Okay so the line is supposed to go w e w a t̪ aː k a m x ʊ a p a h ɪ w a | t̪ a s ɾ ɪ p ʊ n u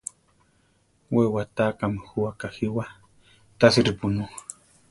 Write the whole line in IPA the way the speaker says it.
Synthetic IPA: w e w a t̪ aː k a m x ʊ a k a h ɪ w a | t̪ a s ɾ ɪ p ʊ n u